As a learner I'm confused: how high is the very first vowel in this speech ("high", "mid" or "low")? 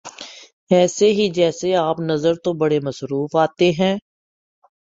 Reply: mid